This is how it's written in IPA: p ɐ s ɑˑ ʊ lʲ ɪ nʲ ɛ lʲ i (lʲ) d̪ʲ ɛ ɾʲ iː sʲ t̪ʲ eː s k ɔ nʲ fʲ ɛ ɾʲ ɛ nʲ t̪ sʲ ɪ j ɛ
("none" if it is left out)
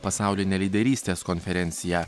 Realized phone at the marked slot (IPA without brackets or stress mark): none